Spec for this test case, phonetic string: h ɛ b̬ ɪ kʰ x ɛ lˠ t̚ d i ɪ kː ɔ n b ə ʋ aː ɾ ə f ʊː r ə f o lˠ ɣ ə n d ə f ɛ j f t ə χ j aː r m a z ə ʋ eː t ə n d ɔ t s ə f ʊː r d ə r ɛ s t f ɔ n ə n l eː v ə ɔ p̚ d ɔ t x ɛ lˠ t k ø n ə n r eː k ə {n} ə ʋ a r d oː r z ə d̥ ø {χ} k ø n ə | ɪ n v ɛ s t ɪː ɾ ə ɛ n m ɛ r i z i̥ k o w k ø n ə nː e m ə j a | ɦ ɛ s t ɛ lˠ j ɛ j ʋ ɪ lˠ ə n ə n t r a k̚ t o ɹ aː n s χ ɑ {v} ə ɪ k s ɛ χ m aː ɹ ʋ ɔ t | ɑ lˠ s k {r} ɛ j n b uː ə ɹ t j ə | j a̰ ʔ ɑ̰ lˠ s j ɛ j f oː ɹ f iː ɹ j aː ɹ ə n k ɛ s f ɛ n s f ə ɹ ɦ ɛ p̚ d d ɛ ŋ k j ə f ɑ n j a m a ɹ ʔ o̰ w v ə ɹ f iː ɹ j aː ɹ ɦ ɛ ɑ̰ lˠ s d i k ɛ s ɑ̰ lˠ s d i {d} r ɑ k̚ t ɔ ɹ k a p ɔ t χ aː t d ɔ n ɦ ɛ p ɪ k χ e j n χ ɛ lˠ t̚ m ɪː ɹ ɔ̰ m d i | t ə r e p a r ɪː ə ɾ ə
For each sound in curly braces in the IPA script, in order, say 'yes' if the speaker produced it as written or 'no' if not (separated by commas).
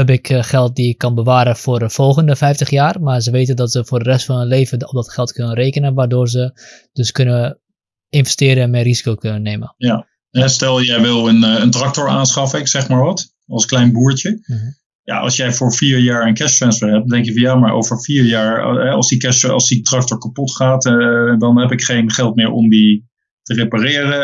yes, no, no, no, no